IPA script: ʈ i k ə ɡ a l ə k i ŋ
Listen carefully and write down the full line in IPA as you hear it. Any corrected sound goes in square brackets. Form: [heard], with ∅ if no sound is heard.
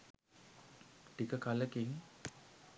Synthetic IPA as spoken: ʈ i k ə [k] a l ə k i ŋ

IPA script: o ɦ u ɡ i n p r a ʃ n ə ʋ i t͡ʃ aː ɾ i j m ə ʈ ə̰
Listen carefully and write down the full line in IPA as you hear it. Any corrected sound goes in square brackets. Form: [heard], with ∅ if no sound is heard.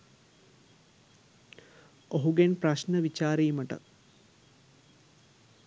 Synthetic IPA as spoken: o ɦ u ɡ [e] n p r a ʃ n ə ʋ i t͡ʃ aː ɾ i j m ə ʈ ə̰

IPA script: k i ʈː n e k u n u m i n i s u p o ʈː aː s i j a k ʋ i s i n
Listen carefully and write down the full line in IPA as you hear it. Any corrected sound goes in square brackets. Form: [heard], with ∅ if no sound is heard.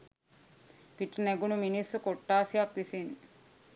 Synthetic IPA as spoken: [p] i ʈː n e [ɡ] u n u m i n i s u [k] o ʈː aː s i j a k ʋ i s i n

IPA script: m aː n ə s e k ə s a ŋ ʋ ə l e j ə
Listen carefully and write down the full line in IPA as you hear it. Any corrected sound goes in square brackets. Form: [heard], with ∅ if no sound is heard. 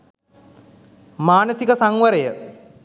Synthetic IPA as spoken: m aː n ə s [i] k ə s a ŋ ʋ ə [ɾ] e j ə

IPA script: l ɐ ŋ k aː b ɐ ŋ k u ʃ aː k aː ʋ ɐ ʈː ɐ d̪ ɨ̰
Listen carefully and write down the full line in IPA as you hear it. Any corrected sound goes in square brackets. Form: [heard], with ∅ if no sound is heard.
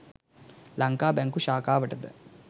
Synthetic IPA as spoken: l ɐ ŋ k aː b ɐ ŋ k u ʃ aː k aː ʋ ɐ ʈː ɐ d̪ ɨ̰

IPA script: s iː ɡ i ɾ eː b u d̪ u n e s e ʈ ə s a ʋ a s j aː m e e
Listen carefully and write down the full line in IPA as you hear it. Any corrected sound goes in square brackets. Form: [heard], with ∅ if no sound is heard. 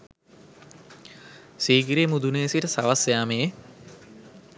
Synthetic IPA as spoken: s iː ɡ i ɾ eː [m] u d̪ u n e s [i] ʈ ə s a ʋ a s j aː m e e

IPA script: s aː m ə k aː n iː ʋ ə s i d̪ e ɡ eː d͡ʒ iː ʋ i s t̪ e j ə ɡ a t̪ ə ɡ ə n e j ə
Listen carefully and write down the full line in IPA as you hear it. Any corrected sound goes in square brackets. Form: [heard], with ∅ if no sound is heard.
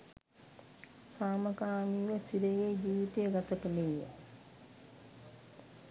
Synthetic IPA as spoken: s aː m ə k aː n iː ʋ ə s i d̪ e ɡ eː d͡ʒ iː ʋ i [∅] t̪ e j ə ɡ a t̪ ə [k] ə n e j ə

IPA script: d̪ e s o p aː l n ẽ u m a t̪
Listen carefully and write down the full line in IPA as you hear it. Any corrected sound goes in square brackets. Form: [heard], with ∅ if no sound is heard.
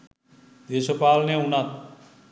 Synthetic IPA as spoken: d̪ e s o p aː l n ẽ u [n] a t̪

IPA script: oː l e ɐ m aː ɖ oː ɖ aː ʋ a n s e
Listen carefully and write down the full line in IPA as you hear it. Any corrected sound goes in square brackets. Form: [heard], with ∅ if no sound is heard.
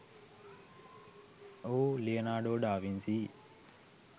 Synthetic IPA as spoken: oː l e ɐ [n] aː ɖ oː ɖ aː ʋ [i] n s [i]

